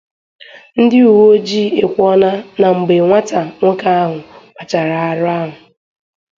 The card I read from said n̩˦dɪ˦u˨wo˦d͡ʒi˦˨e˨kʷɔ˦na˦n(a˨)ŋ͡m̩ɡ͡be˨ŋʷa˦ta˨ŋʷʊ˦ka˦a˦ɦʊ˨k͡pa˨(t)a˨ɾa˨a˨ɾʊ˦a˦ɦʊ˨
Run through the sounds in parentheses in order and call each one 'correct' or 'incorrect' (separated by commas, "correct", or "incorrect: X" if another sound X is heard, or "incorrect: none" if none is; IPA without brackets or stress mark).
correct, incorrect: t͡ʃ